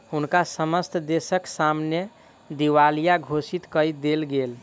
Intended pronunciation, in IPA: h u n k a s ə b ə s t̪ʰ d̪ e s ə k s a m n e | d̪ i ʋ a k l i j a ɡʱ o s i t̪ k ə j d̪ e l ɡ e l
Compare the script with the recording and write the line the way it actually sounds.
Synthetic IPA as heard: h u n k a s ə m ə s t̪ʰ d̪ e s ə k s a m n e | d̪ i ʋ a l i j a ɡʱ o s i t̪ k ə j d̪ e l ɡ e l